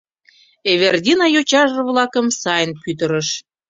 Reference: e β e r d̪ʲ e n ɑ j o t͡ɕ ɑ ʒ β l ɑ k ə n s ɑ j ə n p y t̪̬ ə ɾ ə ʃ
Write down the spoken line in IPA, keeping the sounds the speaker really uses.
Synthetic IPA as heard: e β e r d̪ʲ i n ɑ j o t͡ɕ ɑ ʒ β l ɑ k ə m s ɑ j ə n p y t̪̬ ə ɾ ə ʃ